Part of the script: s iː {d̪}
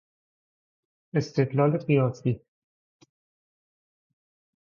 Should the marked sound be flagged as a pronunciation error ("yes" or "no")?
yes